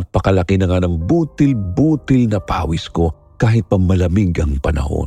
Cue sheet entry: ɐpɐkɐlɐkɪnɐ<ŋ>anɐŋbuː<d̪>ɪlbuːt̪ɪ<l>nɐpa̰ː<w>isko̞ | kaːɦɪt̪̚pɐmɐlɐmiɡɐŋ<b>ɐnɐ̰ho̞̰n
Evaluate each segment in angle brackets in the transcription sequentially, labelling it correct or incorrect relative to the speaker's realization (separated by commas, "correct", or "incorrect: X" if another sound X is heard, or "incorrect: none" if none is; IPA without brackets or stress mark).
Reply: correct, incorrect: t̪, correct, correct, incorrect: p